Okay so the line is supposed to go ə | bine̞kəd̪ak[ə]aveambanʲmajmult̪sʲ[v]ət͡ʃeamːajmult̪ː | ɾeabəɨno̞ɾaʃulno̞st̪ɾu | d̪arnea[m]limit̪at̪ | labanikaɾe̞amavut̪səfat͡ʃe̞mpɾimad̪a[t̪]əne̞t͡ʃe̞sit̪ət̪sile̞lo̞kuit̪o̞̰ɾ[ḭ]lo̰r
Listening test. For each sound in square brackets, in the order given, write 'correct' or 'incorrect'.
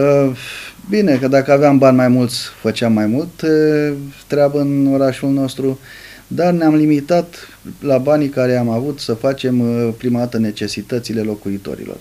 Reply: correct, incorrect, correct, correct, correct

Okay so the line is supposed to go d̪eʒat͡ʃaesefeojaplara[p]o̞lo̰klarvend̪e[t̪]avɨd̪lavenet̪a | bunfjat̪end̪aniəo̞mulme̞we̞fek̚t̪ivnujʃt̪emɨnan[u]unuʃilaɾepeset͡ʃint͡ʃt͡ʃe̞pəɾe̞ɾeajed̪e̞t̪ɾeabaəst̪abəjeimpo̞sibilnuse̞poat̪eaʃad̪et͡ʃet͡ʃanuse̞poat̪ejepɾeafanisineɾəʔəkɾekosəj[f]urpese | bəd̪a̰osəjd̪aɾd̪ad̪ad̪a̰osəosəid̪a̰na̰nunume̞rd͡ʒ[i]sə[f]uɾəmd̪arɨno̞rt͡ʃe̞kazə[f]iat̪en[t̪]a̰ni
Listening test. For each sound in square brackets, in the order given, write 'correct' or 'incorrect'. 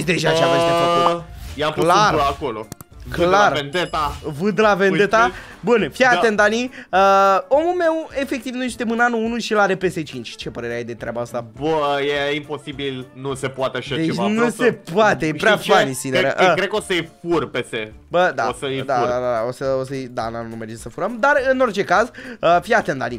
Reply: incorrect, correct, correct, correct, incorrect, correct, correct, incorrect

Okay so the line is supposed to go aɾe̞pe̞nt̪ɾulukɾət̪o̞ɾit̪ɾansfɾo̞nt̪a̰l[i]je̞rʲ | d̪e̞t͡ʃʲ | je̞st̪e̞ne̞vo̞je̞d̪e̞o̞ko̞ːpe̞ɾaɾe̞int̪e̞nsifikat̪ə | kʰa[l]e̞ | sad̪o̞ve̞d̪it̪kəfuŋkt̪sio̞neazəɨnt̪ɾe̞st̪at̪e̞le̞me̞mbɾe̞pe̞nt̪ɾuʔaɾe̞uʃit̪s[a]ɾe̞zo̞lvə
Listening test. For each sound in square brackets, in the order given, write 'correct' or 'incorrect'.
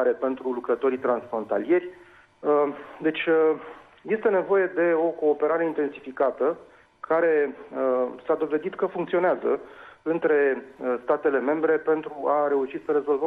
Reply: correct, incorrect, incorrect

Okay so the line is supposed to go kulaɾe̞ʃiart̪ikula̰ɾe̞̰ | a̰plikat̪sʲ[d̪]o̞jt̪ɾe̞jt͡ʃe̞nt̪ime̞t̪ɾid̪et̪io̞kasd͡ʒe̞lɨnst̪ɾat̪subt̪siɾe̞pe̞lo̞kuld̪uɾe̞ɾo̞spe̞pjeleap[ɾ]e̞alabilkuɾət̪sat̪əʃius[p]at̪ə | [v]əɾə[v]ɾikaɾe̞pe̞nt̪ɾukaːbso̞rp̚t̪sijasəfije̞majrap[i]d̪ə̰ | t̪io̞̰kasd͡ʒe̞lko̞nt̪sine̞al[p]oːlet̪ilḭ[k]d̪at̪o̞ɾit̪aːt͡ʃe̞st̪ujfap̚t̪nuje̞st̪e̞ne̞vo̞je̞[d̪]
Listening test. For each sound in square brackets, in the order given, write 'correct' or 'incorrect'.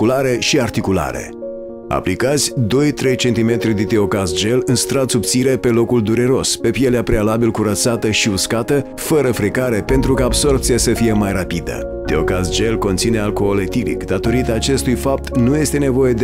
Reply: correct, correct, incorrect, incorrect, incorrect, correct, incorrect, correct, correct

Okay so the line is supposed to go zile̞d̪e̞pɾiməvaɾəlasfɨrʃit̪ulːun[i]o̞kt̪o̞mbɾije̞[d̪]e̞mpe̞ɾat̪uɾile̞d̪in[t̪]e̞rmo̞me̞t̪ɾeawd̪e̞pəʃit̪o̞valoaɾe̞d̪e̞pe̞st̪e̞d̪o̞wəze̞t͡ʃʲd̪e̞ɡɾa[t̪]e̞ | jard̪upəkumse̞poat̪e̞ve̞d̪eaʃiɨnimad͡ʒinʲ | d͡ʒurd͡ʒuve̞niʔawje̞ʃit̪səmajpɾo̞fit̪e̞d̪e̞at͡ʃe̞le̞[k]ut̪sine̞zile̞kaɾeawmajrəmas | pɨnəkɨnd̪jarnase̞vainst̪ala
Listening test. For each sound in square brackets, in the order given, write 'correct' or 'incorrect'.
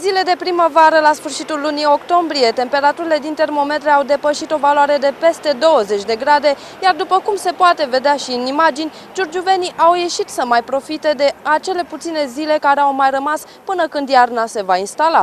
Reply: correct, incorrect, correct, incorrect, incorrect

